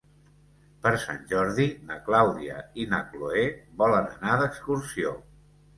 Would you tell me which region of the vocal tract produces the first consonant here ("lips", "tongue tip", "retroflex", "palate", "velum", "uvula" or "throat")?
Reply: lips